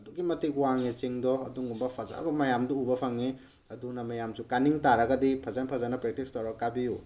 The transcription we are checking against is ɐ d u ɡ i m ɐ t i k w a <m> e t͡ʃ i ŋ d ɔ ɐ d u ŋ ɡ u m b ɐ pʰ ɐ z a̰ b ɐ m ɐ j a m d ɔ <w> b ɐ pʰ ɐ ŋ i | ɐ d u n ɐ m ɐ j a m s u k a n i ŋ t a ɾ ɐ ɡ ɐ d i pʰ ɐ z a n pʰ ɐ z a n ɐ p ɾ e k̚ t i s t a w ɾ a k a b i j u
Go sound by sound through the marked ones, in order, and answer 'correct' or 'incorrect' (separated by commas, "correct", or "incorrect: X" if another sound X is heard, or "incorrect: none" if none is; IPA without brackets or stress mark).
incorrect: ŋ, incorrect: u